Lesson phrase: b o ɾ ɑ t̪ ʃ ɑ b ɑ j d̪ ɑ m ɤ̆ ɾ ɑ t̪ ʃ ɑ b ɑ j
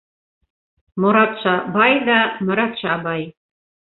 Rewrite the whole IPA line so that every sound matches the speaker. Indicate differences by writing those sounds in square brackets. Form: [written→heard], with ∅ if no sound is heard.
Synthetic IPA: [b→m] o ɾ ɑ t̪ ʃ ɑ b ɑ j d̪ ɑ m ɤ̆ ɾ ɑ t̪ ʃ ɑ b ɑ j